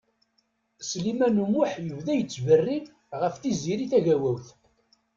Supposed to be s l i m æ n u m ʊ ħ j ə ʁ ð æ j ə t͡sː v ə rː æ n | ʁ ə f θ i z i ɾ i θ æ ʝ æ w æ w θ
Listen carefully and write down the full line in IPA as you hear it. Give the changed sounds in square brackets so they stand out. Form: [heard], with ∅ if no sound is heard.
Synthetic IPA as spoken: s l i m æ n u m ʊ ħ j ə [v] ð æ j ə t͡sː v ə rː [i] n | ʁ ə f θ i z i ɾ i θ æ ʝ æ w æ w θ